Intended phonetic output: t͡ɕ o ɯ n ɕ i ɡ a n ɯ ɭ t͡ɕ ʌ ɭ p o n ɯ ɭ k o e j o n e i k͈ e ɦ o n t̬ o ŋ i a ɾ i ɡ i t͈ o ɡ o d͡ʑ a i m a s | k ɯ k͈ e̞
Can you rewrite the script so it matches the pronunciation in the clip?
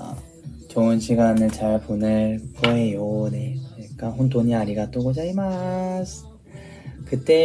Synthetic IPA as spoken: t͡ɕ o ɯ n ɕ i ɡ a n ɯ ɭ t͡ɕ a ɭ p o n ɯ ɭ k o e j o n e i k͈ a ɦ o n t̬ o ɲ i a ɾ i ɡ a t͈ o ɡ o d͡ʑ a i m a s | k ɯ t͈ e̞